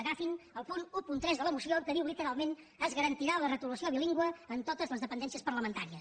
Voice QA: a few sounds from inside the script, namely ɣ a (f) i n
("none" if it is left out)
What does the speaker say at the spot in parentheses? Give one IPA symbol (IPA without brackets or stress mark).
f